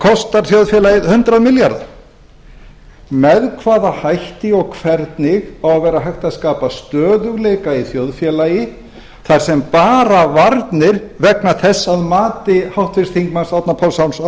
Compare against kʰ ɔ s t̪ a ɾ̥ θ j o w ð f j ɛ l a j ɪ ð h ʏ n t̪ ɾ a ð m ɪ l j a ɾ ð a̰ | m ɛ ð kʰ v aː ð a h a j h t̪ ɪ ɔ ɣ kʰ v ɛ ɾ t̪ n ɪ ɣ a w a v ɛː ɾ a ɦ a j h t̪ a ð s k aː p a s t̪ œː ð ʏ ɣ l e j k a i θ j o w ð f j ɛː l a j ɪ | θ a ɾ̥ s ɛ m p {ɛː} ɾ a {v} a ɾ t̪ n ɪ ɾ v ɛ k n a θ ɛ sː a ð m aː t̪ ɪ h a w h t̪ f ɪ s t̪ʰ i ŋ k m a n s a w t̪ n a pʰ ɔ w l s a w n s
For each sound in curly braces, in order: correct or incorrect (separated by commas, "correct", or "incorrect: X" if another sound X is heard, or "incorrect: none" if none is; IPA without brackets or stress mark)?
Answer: incorrect: aː, correct